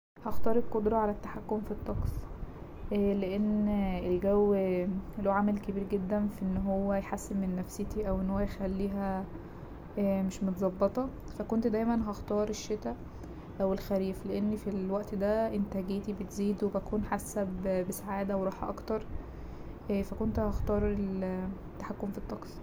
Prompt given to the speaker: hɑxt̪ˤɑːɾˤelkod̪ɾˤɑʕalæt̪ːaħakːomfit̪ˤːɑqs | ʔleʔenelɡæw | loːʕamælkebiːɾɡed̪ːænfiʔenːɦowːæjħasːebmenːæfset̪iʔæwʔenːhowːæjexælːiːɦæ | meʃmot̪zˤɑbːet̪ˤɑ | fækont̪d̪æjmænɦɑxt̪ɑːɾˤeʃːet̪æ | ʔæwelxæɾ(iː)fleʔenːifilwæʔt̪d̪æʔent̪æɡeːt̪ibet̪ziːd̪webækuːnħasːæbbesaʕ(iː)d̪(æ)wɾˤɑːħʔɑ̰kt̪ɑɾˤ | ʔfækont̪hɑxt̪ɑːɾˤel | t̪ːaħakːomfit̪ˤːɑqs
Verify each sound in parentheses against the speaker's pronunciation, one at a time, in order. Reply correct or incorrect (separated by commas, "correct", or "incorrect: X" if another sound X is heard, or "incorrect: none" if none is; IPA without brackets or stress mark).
correct, incorrect: aː, correct